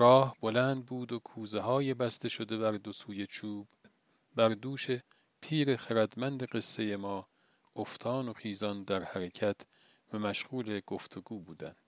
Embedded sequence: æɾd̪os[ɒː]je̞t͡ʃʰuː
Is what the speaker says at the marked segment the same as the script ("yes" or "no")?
no